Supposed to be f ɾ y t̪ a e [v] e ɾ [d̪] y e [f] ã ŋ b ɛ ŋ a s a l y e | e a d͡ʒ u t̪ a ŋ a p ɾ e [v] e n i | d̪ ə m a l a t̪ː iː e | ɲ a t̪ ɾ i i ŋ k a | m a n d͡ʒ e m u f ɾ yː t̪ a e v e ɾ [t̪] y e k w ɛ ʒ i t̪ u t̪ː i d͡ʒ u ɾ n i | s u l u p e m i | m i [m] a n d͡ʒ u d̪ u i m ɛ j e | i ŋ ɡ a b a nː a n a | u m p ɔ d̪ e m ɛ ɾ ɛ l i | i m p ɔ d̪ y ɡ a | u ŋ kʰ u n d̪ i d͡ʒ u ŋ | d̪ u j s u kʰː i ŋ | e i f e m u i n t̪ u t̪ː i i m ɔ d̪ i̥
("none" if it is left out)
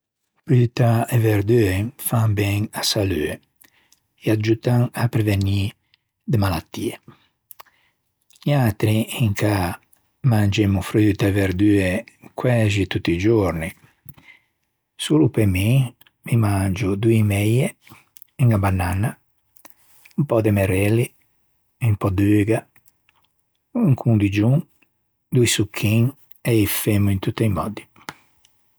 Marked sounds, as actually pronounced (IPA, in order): v, d̪, f, v, d̪, m

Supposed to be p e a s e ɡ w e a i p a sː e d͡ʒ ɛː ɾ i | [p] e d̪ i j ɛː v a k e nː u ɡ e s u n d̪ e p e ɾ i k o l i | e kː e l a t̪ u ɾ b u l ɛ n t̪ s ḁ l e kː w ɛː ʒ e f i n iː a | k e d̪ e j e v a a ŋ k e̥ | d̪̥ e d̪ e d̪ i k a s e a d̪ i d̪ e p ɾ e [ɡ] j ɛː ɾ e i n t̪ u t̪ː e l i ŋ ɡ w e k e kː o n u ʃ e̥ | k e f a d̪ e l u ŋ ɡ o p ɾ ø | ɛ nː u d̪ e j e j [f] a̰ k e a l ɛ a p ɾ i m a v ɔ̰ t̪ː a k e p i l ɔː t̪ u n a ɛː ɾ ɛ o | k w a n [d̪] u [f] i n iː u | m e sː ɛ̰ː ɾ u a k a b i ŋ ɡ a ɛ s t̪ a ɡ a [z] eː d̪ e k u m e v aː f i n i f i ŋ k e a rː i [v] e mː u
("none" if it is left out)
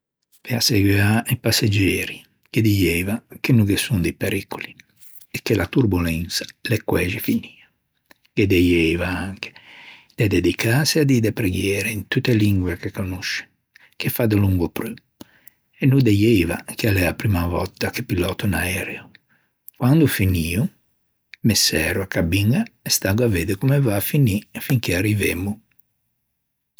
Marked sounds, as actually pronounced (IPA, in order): k, ɡ, v, d̪, f, v, v

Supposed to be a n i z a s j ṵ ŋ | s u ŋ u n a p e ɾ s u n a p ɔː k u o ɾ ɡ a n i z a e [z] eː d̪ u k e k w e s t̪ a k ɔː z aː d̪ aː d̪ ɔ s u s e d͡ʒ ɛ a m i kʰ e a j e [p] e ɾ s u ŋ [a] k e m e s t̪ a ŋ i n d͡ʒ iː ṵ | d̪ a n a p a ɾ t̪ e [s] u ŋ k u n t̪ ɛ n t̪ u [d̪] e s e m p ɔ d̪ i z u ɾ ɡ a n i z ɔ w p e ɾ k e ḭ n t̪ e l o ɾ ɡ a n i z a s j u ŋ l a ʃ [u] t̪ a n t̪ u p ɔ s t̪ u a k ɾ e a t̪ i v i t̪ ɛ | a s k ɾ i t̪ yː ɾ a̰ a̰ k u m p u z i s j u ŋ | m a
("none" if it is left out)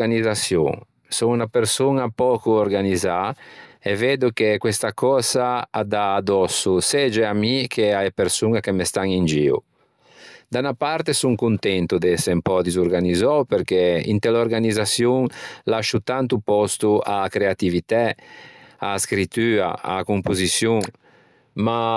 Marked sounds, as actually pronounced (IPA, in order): v, p, a, s, d̪, u

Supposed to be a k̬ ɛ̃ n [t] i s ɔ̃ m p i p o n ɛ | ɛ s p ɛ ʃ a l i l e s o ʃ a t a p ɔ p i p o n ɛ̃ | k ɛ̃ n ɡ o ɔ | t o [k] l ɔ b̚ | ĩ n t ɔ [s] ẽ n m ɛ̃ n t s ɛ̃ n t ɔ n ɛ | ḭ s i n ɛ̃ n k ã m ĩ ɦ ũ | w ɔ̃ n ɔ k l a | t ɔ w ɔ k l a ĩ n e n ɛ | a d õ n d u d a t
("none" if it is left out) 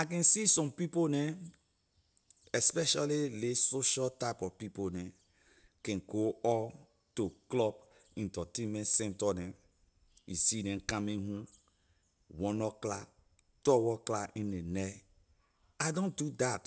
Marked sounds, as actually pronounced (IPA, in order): s, k, t

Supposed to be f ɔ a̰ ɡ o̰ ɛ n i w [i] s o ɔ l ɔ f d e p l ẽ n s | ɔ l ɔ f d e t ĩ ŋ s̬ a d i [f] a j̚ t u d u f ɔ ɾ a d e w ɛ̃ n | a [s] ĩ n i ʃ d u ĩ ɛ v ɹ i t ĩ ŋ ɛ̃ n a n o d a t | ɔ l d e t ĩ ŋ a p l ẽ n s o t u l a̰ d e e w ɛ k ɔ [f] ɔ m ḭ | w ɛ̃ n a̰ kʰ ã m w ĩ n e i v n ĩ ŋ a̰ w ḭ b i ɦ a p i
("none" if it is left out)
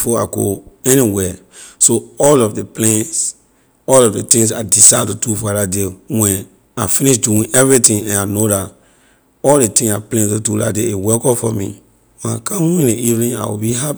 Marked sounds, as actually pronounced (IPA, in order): ɛ, s, f, f

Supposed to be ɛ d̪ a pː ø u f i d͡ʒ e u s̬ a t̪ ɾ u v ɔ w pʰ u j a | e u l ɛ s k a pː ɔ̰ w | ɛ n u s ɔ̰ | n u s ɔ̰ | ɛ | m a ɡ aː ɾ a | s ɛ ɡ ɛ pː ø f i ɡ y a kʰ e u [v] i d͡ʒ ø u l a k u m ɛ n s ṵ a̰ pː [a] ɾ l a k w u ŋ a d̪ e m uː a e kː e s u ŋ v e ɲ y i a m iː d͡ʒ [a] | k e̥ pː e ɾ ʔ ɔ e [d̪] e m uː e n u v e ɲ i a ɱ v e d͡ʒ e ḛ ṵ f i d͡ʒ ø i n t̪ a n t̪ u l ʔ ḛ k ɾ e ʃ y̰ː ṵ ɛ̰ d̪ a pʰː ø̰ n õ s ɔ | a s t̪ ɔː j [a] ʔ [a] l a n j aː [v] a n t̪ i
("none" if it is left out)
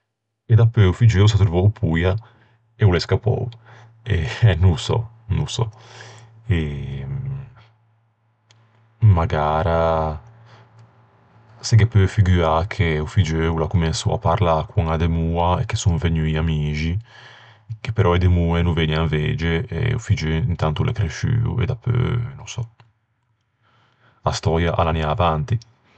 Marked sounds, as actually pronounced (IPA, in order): f, a, i, d̪, a, a, v

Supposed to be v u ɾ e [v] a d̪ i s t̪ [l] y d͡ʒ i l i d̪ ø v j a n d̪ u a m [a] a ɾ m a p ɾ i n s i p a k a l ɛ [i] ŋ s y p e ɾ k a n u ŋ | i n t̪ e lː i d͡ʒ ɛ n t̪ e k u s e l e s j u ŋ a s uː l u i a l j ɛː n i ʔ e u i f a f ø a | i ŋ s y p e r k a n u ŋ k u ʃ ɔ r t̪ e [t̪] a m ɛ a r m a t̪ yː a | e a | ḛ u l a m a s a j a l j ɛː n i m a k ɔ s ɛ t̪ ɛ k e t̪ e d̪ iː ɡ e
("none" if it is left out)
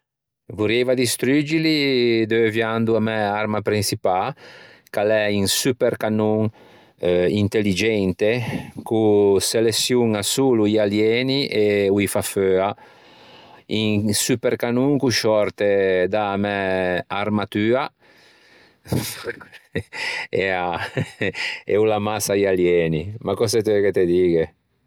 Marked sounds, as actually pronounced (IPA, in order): v, ɾ, ɛ, i, d̪

